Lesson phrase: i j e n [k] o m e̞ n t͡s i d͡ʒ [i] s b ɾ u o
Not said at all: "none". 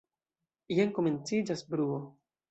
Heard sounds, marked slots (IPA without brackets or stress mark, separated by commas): k, a